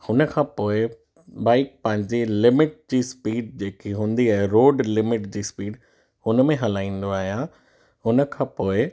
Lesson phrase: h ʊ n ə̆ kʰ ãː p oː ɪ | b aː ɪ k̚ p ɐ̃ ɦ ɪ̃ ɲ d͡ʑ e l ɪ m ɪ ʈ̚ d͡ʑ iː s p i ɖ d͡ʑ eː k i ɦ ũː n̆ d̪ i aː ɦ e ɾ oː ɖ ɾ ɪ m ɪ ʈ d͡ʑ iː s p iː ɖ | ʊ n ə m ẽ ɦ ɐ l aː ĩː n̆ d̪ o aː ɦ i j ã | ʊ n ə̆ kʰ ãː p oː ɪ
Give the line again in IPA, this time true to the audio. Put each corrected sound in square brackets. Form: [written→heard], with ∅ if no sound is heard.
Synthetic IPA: h ʊ n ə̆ kʰ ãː p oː ɪ | b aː ɪ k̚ p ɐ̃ ɦ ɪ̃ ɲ d͡ʑ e l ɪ m ɪ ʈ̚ d͡ʑ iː s p [i→iː] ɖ d͡ʑ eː k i ɦ ũː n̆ d̪ i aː ɦ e ɾ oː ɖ [ɾ→l] ɪ m ɪ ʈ d͡ʑ iː s p iː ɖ | ʊ n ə m ẽ ɦ ɐ l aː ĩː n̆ d̪ o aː ɦ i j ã | ʊ n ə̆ kʰ ãː p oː ɪ